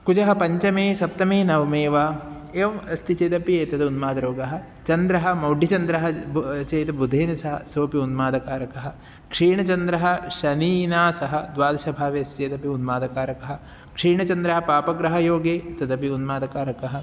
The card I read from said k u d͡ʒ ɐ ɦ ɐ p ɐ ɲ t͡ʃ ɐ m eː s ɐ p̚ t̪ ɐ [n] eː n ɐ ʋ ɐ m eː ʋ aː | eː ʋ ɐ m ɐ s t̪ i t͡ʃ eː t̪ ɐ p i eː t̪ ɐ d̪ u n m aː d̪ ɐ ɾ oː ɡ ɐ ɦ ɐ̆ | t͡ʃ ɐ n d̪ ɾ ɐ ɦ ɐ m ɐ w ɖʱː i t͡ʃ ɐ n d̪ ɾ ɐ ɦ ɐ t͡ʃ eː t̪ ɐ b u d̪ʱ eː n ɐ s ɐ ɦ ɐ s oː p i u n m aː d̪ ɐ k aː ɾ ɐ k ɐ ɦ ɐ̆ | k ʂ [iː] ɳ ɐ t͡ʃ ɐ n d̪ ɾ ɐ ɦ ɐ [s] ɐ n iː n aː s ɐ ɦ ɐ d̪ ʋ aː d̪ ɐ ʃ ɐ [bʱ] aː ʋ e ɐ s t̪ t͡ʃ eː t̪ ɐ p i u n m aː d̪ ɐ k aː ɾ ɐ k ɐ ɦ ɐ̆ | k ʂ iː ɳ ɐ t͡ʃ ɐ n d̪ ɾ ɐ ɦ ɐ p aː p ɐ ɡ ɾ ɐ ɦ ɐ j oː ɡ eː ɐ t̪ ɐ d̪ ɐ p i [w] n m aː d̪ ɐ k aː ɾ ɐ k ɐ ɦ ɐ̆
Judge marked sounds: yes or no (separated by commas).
no, yes, no, yes, no